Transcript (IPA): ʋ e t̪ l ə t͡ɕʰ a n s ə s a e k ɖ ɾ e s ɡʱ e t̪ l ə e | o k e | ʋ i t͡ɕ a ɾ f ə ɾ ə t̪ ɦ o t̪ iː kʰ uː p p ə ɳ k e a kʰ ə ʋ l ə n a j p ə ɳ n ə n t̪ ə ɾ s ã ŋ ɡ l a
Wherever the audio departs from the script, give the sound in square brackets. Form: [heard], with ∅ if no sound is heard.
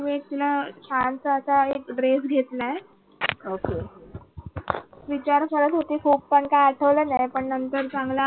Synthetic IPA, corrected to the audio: ʋ e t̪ l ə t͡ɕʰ a n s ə s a e k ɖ ɾ e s ɡʱ e t̪ l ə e | o k e | ʋ i t͡ɕ a ɾ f ə ɾ ə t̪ ɦ o t̪ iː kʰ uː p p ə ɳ k [a] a [ʈʰ] ə ʋ l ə n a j p ə ɳ n ə n t̪ ə ɾ [t͡s] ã ŋ ɡ l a